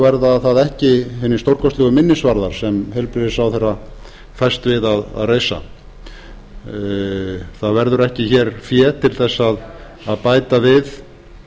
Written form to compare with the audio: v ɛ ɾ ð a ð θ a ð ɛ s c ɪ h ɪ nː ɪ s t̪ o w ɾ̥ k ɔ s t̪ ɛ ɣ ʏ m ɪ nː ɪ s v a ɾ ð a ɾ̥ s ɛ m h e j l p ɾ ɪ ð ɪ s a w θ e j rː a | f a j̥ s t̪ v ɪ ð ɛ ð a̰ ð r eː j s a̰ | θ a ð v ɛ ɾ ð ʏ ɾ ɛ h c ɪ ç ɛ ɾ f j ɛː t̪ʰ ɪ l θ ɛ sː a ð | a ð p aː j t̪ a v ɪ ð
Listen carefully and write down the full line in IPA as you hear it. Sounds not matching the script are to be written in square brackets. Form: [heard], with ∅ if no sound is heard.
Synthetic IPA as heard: v ɛ ɾ ð a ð θ a ð ɛ [h] c ɪ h ɪ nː ɪ s t̪ o w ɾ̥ k ɔ s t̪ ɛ ɣ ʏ m ɪ nː ɪ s v a ɾ ð a ɾ̥ s ɛ m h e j l p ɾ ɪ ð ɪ s a w θ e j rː a | f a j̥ s t̪ v ɪ ð [a] ð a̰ ð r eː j s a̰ | θ a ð v ɛ ɾ ð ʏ ɾ ɛ h c ɪ ç ɛ ɾ f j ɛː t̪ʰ ɪ l θ ɛ sː a ð | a ð p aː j t̪ a v ɪ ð